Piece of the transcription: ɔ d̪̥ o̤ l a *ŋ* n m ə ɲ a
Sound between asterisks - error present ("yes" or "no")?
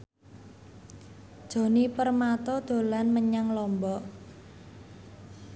yes